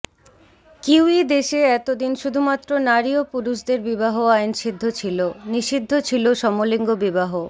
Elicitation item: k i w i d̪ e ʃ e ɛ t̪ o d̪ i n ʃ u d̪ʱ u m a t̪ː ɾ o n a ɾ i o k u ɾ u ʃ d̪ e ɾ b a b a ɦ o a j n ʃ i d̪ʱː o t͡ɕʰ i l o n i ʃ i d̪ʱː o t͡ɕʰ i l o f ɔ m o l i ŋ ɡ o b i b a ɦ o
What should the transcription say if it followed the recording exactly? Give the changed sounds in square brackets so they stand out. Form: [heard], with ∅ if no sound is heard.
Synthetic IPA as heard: k i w i d̪ e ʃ e ɛ t̪ o d̪ i n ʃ u d̪ʱ u m a t̪ː ɾ o n a ɾ i o [p] u ɾ u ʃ d̪ e ɾ b [i] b a ɦ o a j n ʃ i d̪ʱː o t͡ɕʰ i l o n i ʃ i d̪ʱː o t͡ɕʰ i l o [ʃ] ɔ m o l i ŋ ɡ o b i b a ɦ o